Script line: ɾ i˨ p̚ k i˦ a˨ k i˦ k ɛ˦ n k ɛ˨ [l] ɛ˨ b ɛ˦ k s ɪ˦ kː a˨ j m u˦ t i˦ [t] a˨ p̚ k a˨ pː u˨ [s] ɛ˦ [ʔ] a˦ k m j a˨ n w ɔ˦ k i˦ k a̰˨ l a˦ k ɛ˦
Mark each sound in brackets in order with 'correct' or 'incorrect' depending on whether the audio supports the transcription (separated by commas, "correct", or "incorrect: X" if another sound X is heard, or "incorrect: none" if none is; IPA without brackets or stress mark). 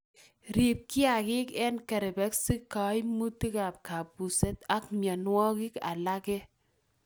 incorrect: ɾ, incorrect: k, correct, incorrect: t